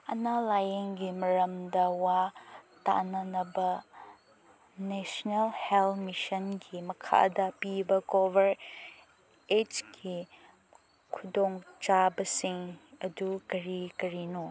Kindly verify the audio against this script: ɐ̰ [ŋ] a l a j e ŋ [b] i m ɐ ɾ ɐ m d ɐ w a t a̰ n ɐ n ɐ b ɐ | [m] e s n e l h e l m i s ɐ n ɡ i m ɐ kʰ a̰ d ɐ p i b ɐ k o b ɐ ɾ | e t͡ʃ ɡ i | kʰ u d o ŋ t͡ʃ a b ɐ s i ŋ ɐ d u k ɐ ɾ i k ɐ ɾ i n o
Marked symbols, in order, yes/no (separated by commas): no, no, no